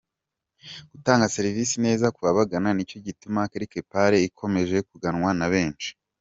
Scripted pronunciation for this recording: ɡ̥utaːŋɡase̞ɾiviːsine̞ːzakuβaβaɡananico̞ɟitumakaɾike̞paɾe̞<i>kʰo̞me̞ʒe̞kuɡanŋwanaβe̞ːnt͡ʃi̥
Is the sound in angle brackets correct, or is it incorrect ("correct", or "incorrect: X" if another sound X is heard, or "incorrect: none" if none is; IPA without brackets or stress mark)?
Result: correct